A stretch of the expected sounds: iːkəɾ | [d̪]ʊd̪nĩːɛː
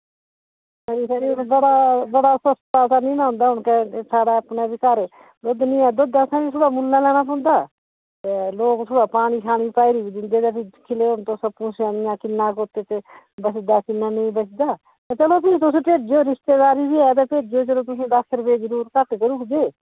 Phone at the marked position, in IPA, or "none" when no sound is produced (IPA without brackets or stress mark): d̪